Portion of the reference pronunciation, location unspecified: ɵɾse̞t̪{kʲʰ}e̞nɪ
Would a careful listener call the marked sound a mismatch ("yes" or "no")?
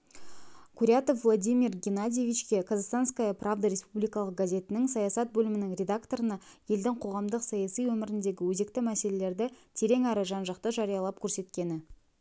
yes